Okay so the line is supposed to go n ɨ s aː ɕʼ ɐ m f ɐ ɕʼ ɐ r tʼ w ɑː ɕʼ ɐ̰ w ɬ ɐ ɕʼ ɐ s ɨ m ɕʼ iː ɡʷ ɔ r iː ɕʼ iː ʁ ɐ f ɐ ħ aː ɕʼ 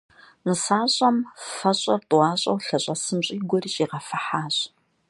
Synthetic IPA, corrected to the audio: n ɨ s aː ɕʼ ɐ m f ɐ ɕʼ ɐ r tʼ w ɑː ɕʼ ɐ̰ w ɬ ɐ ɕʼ ɐ s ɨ m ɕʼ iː ɡʷ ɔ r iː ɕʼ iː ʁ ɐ f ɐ ħ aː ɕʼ